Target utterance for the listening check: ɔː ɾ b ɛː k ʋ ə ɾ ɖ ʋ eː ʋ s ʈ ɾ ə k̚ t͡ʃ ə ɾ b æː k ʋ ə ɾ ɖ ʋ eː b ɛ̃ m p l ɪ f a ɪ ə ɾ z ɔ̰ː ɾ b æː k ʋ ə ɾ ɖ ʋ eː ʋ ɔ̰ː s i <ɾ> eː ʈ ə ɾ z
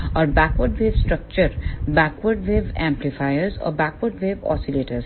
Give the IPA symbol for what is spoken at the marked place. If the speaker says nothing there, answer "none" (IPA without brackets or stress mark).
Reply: l